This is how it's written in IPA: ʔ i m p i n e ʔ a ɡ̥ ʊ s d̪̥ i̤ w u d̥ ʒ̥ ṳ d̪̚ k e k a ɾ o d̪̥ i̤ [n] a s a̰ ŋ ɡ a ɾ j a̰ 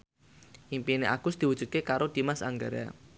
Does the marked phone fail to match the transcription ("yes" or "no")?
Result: yes